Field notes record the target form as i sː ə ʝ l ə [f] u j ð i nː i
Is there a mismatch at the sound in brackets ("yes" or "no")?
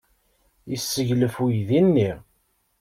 no